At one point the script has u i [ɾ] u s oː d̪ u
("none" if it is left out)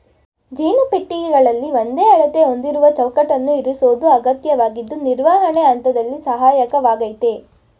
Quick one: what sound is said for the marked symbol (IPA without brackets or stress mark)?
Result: ɾ